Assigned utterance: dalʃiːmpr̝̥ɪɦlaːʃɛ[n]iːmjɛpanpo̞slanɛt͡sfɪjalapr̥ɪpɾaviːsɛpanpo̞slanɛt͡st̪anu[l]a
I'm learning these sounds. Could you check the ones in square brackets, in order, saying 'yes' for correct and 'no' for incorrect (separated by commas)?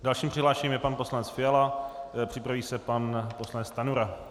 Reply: no, no